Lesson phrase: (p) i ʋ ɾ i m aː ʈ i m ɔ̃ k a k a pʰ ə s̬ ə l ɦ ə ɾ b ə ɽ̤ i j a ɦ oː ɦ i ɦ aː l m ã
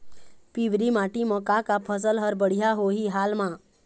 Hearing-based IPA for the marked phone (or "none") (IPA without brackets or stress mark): p